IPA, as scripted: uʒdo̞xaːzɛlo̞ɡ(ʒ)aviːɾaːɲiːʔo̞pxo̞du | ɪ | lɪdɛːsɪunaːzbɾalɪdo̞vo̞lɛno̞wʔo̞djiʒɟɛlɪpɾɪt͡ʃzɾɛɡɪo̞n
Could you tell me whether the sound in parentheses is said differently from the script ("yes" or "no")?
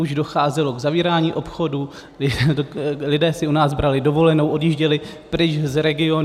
yes